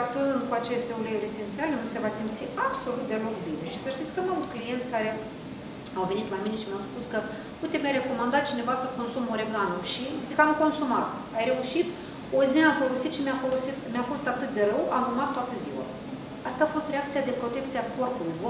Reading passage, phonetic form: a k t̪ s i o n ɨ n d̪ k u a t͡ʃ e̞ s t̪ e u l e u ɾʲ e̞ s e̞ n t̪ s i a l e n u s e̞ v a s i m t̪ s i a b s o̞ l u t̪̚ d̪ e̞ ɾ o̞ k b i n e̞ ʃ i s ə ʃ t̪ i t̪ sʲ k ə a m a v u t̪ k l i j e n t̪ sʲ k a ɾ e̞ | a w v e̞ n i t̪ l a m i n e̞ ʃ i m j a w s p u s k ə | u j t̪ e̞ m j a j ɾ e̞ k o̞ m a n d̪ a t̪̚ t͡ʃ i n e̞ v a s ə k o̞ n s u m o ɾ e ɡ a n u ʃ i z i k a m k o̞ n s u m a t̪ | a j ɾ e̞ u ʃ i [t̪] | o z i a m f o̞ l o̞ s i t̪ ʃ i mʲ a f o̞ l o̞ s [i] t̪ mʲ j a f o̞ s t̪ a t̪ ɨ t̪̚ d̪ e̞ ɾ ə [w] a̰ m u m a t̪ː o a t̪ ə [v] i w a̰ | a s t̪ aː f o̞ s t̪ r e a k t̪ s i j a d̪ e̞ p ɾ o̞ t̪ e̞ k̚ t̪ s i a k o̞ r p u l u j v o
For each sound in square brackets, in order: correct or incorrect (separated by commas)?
correct, correct, correct, incorrect